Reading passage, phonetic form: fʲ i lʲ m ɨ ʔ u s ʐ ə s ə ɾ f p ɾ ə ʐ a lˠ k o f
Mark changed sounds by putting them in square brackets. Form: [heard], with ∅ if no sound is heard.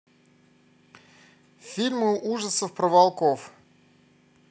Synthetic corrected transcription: fʲ i lʲ m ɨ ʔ u [∅] ʐ ə s ə [∅] f p ɾ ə [v] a lˠ k o f